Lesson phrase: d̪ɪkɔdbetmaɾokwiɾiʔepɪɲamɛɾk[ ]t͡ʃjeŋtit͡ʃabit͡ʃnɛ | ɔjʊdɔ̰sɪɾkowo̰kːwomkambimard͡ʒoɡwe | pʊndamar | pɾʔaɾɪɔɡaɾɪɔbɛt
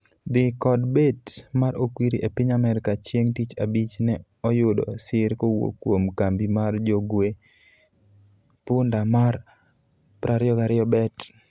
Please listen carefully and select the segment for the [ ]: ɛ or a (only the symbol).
a